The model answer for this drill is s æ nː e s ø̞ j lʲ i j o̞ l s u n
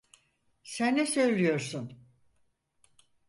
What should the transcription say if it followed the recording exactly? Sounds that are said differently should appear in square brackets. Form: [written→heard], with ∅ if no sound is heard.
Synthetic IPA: s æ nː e s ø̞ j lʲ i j o̞ [l→ɾ] s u n